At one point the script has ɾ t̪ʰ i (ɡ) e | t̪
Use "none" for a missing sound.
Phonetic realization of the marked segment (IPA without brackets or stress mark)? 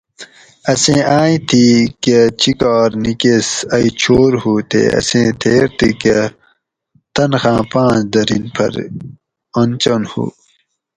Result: k